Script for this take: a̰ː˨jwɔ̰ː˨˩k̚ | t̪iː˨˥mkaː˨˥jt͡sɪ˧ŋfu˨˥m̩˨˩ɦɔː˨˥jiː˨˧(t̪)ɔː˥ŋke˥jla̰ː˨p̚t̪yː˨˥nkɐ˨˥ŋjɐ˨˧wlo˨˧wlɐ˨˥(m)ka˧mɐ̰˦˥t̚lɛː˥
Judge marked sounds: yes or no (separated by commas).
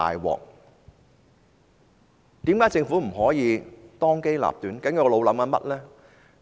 yes, yes